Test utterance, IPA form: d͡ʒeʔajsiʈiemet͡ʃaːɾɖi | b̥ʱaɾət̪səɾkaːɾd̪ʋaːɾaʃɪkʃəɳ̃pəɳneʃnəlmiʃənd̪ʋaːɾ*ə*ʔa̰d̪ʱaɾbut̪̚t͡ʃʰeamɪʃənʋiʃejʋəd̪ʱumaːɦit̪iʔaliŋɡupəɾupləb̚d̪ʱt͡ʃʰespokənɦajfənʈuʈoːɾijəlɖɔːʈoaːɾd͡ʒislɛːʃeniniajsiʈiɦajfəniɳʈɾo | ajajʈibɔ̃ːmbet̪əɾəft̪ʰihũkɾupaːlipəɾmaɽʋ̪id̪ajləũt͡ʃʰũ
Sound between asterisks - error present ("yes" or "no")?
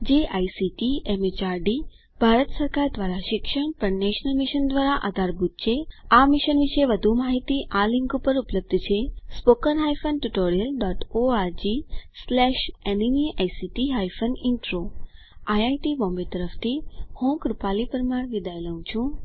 yes